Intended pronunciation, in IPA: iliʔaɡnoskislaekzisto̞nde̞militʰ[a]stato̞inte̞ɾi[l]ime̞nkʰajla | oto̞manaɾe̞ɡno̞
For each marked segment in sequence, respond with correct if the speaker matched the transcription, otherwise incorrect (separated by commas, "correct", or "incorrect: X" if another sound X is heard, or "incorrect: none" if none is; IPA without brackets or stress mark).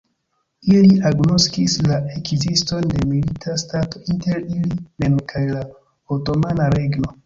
correct, correct